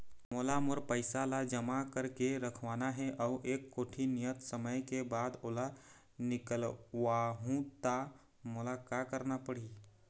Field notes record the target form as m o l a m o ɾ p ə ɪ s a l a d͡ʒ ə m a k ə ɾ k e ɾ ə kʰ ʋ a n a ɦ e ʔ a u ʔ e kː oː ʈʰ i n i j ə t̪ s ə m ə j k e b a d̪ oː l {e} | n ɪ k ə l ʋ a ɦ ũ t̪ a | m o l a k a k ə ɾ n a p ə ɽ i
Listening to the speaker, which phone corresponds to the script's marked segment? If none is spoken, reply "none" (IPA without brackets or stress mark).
a